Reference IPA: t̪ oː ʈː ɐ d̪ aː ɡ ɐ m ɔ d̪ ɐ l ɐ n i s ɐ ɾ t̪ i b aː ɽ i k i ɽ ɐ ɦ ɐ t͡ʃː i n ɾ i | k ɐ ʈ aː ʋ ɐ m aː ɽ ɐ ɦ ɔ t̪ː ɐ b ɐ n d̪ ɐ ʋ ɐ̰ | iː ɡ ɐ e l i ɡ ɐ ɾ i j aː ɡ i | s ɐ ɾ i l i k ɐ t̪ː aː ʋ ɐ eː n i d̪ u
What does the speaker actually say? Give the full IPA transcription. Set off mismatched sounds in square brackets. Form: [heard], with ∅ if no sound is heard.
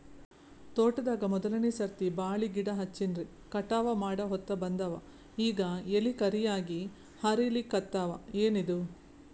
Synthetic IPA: t̪ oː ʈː ɐ d̪ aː ɡ ɐ m ɔ d̪ ɐ l ɐ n i s ɐ ɾ t̪ i b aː [ɭ] i [ɡ] i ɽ ɐ ɦ ɐ t͡ʃː i n ɾ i | k ɐ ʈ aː ʋ ɐ m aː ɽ ɐ ɦ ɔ t̪ː ɐ b ɐ n d̪ ɐ ʋ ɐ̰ | iː ɡ ɐ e l i [k] ɐ ɾ i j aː ɡ i | [h] ɐ ɾ i l i k ɐ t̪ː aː ʋ ɐ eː n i d̪ u